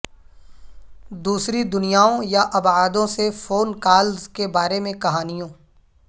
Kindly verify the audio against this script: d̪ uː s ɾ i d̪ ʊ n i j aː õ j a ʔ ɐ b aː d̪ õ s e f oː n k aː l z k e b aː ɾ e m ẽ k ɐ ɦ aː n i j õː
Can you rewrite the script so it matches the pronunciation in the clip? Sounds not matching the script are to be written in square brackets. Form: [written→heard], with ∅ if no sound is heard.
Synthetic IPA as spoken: d̪ uː s ɾ i d̪ ʊ n i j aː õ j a ʔ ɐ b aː d̪ õ s e f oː n k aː l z k e b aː ɾ e m ẽ k ɐ ɦ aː n i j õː